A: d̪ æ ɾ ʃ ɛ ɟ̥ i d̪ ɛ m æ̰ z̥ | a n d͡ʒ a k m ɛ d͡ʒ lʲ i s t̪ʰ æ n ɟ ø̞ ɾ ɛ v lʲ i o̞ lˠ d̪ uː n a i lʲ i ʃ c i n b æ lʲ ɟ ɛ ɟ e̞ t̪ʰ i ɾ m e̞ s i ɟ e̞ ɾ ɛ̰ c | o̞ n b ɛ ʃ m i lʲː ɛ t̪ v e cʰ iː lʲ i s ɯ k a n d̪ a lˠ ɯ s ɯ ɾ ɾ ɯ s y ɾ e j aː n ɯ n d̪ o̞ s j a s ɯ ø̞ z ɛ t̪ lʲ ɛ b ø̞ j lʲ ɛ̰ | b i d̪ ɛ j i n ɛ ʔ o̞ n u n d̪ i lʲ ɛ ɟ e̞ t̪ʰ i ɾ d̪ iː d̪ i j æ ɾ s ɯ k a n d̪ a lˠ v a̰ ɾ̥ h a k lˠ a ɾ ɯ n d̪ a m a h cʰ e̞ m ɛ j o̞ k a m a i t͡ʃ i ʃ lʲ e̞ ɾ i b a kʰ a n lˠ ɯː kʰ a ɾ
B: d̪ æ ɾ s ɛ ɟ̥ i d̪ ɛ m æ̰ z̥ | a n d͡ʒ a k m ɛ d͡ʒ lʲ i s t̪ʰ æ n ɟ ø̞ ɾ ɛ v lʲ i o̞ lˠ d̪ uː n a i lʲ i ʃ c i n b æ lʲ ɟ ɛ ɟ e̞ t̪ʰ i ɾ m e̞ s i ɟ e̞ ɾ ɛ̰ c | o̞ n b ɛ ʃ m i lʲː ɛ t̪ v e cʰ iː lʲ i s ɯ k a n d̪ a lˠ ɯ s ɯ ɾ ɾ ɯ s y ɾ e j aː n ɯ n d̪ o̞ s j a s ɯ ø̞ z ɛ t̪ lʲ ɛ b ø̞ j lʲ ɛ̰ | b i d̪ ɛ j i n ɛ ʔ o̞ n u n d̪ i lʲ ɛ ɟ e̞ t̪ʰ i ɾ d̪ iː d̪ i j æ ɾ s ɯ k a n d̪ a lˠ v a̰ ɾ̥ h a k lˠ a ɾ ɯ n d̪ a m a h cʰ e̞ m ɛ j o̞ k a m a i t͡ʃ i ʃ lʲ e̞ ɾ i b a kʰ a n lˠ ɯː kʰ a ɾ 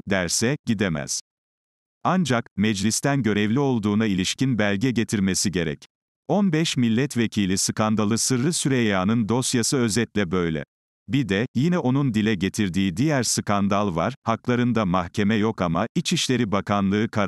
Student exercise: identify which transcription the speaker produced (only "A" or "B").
B